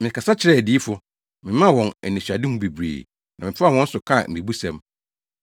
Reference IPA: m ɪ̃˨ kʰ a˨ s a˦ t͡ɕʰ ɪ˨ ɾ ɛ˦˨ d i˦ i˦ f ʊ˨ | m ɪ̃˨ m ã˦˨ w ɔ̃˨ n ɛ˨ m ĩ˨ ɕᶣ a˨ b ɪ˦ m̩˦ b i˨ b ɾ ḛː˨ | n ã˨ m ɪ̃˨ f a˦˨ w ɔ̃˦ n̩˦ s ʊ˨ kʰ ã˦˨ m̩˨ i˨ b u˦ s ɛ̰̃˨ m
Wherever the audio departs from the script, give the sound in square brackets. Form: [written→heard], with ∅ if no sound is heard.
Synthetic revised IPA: m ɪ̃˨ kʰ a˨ s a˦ t͡ɕʰ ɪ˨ ɾ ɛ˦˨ d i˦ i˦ f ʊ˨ | m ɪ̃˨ m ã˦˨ w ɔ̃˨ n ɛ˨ [m→n] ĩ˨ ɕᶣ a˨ [b→d] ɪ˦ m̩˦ b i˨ b ɾ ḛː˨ | n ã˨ m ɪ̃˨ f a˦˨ w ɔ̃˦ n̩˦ s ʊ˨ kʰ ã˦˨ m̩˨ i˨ b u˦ s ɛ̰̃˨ m